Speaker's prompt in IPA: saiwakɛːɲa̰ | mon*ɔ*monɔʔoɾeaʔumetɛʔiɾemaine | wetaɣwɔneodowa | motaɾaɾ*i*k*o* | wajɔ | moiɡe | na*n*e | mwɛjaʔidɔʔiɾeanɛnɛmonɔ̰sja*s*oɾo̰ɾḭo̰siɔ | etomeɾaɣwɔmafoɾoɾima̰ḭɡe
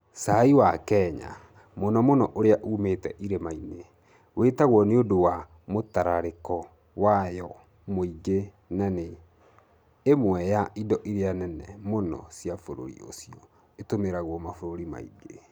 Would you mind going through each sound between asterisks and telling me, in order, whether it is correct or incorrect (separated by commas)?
correct, incorrect, incorrect, correct, incorrect